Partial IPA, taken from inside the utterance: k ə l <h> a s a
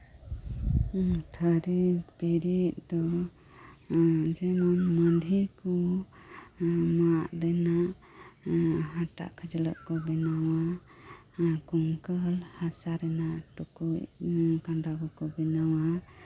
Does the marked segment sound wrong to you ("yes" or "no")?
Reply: no